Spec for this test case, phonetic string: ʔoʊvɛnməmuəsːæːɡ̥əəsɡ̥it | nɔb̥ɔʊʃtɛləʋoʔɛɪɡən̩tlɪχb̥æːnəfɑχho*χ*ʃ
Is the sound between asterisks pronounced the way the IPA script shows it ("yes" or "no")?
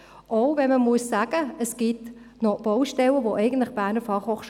yes